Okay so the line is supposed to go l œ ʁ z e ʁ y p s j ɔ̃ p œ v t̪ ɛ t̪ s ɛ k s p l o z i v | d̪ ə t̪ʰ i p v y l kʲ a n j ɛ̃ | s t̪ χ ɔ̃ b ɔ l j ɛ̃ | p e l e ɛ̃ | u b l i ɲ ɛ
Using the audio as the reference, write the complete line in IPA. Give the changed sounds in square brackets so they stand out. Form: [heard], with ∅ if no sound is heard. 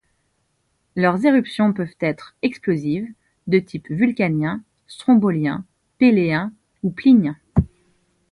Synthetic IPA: l œ ʁ z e ʁ y p s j ɔ̃ p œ v t̪ ɛ t̪ [χ] ɛ k s p l o z i v | d̪ ə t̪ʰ i p v y l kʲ a n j ɛ̃ | s t̪ χ ɔ̃ b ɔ l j ɛ̃ | p e l e ɛ̃ | u [p] l i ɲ [ɛ̃]